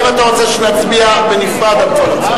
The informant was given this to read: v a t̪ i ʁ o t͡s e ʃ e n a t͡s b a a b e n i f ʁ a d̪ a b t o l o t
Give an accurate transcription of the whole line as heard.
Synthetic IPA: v a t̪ a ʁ o t͡s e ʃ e n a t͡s b i a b e n i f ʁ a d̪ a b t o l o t